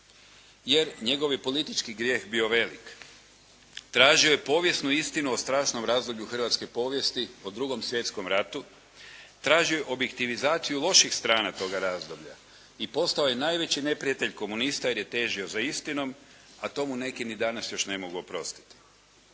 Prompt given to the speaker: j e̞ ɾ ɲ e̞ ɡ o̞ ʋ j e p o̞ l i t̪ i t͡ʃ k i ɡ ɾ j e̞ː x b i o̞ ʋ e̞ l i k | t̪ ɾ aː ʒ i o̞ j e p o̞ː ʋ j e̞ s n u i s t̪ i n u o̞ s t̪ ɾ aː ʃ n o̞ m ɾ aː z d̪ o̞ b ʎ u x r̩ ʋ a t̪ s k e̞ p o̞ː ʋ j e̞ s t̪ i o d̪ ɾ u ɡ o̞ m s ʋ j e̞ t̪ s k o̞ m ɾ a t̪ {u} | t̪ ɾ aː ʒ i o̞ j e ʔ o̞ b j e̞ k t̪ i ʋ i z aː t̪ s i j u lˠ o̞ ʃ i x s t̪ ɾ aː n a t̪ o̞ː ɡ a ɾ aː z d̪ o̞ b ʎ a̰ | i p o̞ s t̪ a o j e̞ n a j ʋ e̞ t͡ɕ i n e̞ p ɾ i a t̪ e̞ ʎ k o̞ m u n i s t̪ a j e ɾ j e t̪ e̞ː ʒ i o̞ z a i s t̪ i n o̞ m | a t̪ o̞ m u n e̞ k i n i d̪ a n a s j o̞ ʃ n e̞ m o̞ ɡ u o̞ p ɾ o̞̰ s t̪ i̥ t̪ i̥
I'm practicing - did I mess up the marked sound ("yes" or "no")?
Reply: no